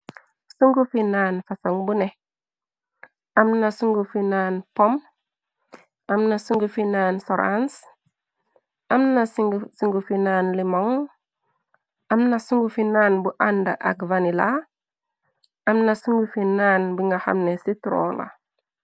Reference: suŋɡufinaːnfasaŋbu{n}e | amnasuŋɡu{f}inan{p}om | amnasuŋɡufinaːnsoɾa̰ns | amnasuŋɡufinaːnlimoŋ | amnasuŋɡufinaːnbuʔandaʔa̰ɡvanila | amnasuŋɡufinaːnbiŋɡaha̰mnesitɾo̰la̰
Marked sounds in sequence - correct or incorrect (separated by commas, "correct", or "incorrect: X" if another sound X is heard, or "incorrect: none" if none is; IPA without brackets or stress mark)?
correct, correct, correct